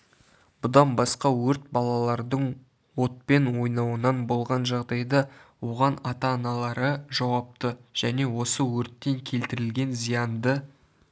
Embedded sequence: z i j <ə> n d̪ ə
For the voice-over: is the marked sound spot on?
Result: no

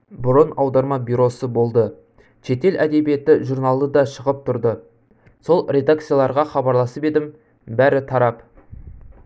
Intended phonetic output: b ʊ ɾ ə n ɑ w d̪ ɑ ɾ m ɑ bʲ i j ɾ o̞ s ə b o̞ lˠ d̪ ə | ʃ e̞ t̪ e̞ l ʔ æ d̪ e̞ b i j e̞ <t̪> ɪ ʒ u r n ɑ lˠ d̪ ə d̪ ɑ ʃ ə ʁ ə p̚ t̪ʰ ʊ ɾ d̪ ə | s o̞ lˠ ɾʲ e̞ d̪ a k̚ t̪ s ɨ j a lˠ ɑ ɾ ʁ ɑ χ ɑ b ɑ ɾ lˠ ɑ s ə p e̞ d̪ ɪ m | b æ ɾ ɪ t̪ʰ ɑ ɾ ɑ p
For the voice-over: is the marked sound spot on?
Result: yes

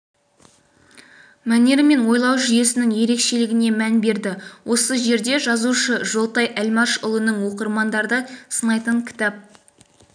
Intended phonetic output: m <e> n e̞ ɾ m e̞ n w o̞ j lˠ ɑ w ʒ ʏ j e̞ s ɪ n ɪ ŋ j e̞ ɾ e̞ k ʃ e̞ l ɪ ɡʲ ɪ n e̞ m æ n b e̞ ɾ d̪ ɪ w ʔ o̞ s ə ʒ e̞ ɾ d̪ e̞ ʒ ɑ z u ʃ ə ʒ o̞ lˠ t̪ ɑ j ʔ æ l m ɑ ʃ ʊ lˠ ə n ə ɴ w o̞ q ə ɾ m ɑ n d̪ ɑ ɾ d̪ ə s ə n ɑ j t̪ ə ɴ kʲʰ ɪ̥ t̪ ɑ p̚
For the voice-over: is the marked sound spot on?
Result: no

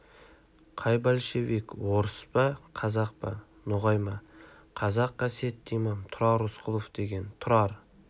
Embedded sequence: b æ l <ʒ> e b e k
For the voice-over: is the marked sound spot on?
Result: no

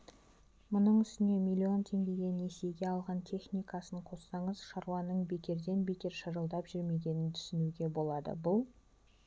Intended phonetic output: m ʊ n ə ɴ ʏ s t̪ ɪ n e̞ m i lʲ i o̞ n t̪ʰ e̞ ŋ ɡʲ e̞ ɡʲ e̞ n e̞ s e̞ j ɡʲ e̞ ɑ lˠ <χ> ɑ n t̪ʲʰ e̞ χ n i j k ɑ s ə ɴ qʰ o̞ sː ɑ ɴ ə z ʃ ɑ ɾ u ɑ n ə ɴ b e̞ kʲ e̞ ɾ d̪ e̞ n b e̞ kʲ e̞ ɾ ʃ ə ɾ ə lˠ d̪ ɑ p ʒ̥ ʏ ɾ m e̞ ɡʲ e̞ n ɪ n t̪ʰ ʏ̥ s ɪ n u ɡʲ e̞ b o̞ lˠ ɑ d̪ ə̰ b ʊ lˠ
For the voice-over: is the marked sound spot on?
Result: no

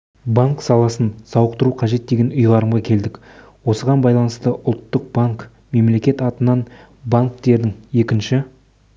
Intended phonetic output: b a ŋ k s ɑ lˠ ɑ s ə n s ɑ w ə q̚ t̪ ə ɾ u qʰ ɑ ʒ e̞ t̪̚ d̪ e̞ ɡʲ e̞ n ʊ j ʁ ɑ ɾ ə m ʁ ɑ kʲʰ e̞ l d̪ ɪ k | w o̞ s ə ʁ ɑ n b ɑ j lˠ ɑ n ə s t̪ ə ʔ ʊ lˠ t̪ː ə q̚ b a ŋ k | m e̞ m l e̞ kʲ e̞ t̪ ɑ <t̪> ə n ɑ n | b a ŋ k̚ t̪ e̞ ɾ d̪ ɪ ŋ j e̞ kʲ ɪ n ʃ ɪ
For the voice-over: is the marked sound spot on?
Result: yes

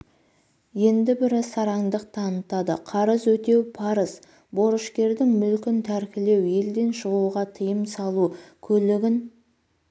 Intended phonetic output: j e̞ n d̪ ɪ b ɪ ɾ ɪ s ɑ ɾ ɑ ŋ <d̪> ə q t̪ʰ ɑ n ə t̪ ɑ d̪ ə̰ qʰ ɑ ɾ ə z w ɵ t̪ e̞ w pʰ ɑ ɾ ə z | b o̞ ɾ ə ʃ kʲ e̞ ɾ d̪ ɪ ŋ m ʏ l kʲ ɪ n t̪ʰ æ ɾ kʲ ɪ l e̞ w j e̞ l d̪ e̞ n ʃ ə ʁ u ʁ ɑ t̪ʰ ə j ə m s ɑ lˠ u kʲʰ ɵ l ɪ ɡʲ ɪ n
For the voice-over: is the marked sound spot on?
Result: yes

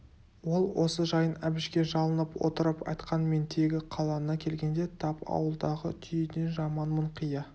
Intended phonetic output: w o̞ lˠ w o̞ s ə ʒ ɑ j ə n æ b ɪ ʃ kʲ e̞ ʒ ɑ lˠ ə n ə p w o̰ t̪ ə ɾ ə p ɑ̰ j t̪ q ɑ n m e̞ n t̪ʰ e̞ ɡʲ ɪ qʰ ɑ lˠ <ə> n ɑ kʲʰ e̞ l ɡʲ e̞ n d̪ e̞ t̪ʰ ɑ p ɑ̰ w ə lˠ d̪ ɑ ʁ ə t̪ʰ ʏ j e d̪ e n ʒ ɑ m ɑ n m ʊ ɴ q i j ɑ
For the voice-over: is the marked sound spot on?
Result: no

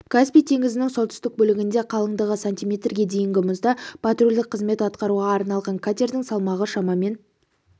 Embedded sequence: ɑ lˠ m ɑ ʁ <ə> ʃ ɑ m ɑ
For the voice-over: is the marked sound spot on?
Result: yes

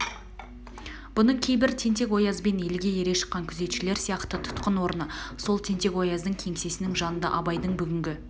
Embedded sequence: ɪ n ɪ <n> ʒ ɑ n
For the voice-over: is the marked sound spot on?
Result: no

